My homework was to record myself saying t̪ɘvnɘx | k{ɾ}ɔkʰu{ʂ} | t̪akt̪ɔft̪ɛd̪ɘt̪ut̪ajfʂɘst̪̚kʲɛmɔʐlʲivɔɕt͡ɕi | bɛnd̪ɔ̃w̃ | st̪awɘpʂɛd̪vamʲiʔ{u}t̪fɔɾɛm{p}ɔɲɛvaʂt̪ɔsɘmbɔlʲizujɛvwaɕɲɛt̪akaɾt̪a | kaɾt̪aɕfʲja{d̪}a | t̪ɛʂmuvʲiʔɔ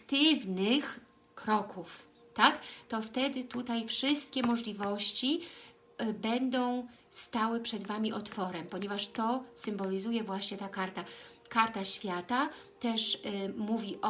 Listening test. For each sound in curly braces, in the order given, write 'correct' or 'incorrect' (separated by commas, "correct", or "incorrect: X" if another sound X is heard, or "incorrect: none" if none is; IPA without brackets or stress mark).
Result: correct, incorrect: f, incorrect: ɔ, correct, incorrect: t̪